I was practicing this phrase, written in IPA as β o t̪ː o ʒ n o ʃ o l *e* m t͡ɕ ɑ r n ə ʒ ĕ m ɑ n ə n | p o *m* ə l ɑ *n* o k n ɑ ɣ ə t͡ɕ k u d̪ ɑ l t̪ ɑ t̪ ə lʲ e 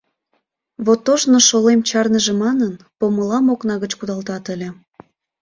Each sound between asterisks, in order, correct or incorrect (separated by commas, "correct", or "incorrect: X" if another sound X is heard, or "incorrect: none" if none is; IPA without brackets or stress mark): correct, correct, incorrect: m